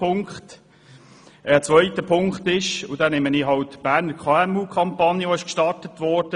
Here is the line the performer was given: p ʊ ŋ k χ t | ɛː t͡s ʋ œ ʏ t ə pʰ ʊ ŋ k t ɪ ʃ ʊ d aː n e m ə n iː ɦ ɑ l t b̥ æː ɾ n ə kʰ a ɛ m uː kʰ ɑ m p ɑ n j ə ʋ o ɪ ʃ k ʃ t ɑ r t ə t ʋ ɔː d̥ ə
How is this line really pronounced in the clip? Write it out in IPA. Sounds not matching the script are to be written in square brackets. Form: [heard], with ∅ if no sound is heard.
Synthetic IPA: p ʊ ŋ k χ t | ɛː t͡s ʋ œ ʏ t ə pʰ ʊ ŋ k t ɪ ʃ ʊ d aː n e m ə n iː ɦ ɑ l t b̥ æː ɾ n ə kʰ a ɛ m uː kʰ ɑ m p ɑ n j ə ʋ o ɪ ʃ k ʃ t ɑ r t ə t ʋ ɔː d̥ ə